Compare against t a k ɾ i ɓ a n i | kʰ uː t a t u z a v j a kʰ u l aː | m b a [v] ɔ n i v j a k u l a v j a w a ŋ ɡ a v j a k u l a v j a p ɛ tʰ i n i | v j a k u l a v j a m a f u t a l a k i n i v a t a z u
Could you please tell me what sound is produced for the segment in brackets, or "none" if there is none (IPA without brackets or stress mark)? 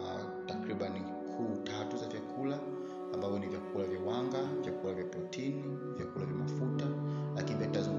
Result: v